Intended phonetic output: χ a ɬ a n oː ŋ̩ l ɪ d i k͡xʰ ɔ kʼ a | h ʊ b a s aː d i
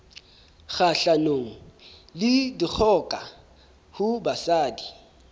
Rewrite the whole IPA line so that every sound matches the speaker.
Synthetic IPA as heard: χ a ɬ a n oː ŋ̩ l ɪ d i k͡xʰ ɔ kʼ a | h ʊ b a s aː d i

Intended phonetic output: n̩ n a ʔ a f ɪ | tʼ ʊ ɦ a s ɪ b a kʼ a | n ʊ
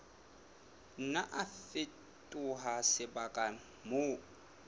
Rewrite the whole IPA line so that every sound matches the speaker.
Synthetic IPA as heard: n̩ n a ʔ a f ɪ | tʼ ʊ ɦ a s ɪ b a kʼ a | m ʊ

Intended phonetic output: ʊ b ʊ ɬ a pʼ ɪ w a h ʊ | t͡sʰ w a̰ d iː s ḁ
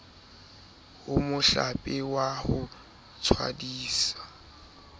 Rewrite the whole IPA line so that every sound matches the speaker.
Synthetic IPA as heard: ʊ m ʊ ɬ a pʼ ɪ w a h ʊ | t͡sʰ w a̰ d iː s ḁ

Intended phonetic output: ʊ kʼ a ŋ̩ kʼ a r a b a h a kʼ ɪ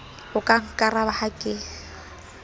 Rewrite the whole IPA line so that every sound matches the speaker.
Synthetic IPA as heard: ʊ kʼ a ŋ̩ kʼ a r a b a h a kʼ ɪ

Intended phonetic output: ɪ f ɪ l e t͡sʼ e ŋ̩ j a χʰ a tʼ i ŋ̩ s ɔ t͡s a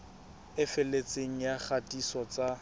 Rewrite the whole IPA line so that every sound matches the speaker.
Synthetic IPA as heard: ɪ f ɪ l e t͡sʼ e ŋ̩ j a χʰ a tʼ i s ɔ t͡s a

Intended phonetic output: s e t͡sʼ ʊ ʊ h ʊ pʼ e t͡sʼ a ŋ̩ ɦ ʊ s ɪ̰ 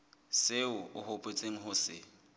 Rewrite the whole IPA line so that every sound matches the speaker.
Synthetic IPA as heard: s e ʊ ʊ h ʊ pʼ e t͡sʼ e ŋ̩ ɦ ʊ s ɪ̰

